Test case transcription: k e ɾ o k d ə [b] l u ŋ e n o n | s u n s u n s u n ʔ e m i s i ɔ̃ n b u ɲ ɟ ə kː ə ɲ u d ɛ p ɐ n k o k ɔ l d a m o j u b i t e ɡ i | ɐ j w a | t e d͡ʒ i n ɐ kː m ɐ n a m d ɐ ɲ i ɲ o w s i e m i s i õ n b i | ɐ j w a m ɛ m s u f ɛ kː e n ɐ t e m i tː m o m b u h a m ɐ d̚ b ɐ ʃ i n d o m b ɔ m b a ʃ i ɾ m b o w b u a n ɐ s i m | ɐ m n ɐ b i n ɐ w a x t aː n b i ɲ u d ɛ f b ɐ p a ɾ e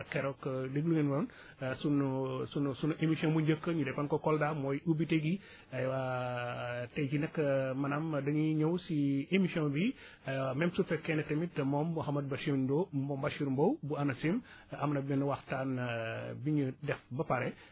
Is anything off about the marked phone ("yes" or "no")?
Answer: yes